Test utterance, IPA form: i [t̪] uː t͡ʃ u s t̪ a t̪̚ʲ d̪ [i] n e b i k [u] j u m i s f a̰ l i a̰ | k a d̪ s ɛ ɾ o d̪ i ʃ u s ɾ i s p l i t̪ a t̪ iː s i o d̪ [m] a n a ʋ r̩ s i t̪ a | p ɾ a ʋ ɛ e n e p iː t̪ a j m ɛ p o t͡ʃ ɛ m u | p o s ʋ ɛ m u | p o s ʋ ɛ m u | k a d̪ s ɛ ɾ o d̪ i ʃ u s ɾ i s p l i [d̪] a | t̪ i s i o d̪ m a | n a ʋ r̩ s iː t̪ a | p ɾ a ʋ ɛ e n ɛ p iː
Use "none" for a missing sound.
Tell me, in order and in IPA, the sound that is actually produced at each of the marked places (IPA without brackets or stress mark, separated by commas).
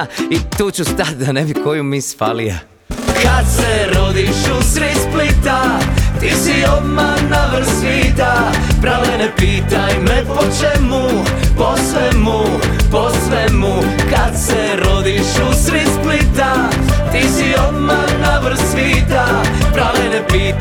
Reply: t̪, a, o, m, t̪